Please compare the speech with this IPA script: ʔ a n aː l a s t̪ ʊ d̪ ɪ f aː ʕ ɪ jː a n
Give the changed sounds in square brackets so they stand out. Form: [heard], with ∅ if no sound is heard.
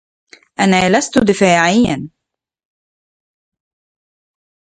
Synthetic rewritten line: ʔ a n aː l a s t̪ ʊ d̪ ɪ f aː ʕ ɪ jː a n